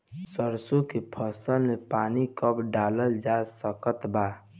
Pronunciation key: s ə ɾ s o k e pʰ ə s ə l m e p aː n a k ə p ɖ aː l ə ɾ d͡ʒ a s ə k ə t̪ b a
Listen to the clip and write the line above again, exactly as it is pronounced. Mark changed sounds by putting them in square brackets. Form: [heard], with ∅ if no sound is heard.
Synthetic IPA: s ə ɾ s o k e pʰ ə s ə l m e p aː n [i] k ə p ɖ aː l ə [l] d͡ʒ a s ə k ə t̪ b a